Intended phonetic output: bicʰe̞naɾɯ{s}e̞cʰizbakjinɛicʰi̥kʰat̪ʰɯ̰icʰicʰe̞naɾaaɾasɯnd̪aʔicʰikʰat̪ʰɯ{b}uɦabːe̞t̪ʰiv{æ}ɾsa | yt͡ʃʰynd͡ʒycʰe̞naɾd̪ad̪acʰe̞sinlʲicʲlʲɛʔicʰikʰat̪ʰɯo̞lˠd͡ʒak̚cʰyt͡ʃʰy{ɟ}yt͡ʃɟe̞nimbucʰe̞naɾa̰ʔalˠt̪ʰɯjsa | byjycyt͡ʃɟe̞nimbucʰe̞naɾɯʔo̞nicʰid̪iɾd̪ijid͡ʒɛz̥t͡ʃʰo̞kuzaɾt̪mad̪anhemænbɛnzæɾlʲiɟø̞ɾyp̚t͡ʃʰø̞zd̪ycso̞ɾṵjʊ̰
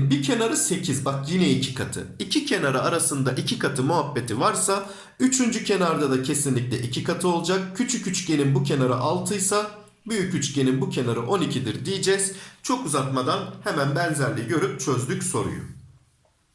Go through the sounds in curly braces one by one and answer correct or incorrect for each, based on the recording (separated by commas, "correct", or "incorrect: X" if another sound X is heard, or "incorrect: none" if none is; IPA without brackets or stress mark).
correct, incorrect: m, incorrect: a, incorrect: c